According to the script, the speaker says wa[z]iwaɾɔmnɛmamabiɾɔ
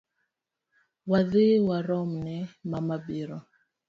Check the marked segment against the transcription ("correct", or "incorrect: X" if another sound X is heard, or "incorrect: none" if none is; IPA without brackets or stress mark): incorrect: ð